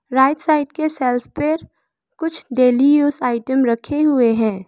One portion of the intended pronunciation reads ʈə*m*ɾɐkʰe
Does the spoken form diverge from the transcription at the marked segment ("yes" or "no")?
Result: no